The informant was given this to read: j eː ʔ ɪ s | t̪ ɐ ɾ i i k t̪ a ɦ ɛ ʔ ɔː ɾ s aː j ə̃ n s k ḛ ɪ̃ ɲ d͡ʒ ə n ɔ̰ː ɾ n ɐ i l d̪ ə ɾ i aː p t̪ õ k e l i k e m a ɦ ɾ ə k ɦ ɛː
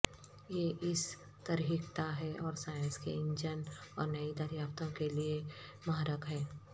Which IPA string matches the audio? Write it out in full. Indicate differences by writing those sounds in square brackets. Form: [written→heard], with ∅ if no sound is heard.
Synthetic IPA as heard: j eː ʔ ɪ s | t̪ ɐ ɾ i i k t̪ a ɦ ɛ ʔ ɔː ɾ s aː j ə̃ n s k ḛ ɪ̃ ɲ d͡ʒ ə n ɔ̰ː ɾ n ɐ i [l→∅] d̪ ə ɾ [i→j] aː p t̪ õ k e l i [k→∅] e m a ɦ ɾ ə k ɦ ɛː